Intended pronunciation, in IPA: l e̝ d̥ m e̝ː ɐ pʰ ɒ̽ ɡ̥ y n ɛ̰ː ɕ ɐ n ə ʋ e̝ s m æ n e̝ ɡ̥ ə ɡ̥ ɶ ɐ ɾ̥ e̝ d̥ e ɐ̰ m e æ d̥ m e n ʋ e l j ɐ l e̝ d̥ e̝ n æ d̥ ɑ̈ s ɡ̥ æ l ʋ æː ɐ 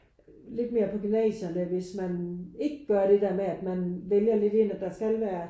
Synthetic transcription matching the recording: l e̝ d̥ m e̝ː ɐ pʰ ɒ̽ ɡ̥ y n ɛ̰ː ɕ ɐ n ə ʋ e̝ s m æ n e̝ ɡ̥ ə ɡ̥ ɶ ɐ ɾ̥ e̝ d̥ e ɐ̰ m e æ d̥ m æ n ʋ e l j ɐ l e̝ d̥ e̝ n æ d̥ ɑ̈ s ɡ̥ æ l ʋ æː ɐ